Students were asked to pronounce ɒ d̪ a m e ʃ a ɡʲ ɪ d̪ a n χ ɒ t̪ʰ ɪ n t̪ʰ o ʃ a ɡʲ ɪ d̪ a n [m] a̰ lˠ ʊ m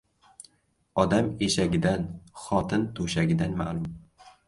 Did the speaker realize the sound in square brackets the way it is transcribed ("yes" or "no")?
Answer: yes